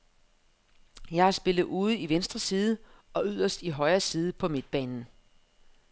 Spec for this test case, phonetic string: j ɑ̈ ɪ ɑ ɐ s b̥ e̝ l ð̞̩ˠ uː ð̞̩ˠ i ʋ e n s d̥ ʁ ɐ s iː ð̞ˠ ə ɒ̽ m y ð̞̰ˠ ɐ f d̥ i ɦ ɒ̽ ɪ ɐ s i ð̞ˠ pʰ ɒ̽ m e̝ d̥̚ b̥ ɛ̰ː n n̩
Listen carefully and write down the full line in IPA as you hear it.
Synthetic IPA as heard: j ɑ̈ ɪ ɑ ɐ s b̥ e̝ l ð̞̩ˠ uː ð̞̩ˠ i ʋ e n s d̥ ʁ ɐ s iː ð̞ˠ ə ɒ̽ y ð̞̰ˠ ɐ s d̥ i ɦ ɒ̽ ɪ ɐ s iː ð̞ˠ pʰ ɒ̽ m e̝ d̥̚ b̥ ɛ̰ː n n̩